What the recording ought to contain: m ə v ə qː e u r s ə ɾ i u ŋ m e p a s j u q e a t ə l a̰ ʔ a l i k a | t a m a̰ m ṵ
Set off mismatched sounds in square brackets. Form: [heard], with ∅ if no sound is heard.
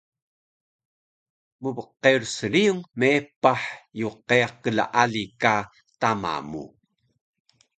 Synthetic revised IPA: m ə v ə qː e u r s ə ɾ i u ŋ m e p a [ħ] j u q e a [q] ə l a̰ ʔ a l i k a | t a m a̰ m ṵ